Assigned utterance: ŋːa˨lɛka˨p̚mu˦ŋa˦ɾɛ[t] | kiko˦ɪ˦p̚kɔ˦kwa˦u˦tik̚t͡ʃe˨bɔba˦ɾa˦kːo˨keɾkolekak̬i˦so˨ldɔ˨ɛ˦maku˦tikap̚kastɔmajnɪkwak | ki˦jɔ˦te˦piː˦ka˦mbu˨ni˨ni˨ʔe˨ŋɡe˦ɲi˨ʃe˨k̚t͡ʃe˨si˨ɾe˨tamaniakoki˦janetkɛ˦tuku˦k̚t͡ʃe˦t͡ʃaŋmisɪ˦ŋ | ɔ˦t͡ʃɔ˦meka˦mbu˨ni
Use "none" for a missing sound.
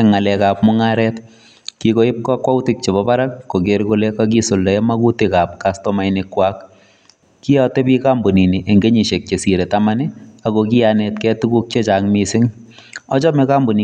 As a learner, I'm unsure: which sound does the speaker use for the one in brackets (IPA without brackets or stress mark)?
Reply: t